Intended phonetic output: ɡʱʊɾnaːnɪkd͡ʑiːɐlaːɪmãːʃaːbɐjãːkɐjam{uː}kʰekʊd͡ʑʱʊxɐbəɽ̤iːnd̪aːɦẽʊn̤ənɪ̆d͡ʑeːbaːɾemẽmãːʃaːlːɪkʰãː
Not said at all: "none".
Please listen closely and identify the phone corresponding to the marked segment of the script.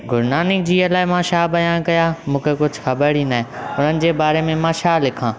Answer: ũː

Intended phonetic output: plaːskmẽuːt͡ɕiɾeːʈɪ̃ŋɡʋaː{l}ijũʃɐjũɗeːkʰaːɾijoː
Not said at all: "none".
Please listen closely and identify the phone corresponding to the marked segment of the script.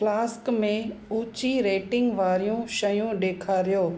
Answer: ɾ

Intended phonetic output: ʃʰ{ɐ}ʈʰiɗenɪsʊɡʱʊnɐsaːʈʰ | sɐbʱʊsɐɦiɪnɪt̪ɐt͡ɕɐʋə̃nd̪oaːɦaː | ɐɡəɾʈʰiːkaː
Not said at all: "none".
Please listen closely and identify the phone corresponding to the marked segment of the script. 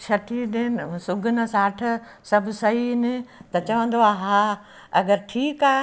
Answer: ɐ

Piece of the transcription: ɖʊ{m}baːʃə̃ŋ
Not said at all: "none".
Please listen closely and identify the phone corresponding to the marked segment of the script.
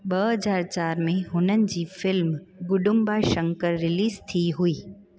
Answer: m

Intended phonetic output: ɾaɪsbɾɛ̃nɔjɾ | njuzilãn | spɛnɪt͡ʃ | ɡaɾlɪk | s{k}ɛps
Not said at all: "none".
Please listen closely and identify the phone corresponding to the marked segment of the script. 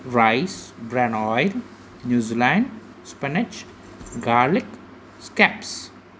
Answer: k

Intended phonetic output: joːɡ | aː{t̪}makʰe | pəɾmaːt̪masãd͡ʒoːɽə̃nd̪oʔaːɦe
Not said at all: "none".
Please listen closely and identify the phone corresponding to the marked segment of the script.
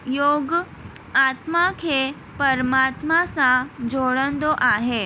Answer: t̪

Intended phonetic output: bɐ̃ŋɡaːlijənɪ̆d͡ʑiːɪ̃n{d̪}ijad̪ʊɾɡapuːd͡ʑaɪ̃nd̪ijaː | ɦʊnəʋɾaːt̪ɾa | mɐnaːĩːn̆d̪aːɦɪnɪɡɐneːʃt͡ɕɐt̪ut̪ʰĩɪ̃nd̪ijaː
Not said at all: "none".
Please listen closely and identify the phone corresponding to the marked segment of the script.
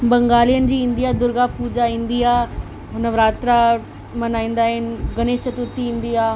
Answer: d̪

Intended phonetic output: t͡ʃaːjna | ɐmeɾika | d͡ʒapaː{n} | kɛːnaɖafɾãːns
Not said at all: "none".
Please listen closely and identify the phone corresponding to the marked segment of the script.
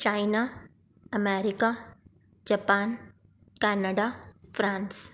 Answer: n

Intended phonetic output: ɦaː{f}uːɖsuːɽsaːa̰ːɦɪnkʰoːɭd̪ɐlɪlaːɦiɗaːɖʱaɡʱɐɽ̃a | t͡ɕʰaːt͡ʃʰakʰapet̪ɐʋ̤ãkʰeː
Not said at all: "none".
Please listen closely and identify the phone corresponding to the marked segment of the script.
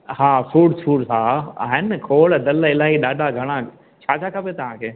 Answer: f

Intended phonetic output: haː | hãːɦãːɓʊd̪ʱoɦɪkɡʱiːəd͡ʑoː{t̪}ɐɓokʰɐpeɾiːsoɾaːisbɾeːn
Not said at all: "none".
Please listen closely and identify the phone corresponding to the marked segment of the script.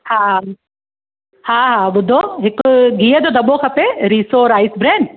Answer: d̪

